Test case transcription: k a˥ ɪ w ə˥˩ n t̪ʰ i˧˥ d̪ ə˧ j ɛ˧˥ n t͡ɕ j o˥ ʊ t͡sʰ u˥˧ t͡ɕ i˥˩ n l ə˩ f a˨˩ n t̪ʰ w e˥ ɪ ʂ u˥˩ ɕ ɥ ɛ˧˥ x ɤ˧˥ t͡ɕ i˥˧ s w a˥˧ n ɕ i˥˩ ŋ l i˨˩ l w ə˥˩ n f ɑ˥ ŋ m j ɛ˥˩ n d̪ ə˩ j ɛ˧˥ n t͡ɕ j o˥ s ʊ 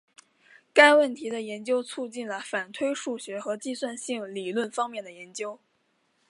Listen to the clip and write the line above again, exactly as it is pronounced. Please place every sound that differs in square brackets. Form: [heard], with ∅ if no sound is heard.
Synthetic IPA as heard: k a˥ ɪ w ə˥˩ n t̪ʰ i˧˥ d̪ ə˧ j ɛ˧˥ n t͡ɕ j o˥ ʊ t͡sʰ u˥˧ t͡ɕ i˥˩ n l ə˩ f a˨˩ n t̪ʰ w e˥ ɪ ʂ u˥˩ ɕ ɥ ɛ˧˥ x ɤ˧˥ t͡ɕ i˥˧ s w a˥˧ n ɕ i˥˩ ŋ l i˨˩ l w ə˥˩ n f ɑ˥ ŋ m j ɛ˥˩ n d̪ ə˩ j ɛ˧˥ n t͡ɕ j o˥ [∅] ʊ